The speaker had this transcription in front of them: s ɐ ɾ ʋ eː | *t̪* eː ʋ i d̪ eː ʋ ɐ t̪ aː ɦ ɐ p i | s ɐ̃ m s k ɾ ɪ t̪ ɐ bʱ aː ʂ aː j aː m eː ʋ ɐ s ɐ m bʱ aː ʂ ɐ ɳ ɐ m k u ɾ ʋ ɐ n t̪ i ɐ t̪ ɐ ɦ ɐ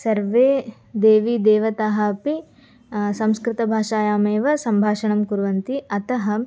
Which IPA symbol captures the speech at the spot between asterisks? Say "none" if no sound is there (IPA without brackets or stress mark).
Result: d̪